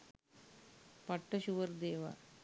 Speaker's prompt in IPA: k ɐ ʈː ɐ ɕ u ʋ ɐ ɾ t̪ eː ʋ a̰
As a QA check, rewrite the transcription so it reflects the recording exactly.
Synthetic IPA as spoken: p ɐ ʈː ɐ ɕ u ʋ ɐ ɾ d̪ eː ʋ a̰